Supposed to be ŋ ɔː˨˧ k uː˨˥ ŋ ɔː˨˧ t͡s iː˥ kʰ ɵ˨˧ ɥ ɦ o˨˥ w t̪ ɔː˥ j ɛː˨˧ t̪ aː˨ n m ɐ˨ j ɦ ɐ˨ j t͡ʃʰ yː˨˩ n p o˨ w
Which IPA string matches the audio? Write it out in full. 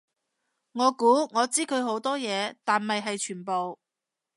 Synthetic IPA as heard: ŋ ɔː˨˧ k uː˨˥ ŋ ɔː˨˧ t͡s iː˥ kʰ ɵ˨˧ ɥ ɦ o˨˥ w t̪ ɔː˥ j ɛː˨˧ t̪ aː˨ n m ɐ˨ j ɦ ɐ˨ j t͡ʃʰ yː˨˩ n p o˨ w